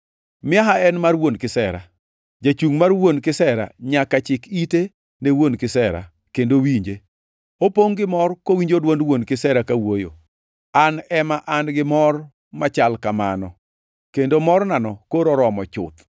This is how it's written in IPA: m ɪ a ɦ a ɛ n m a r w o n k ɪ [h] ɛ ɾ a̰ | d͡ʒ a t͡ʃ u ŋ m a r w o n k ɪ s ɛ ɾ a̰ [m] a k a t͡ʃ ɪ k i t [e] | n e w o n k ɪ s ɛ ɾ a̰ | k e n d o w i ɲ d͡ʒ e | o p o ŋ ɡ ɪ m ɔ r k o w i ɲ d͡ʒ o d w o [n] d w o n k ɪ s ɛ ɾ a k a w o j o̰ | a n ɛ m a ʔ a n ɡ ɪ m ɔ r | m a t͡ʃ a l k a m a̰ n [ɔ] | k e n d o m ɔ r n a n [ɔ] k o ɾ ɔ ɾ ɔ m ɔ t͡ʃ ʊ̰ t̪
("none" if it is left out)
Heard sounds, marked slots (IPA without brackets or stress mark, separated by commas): s, ɲ, e, n, ɔ, ɔ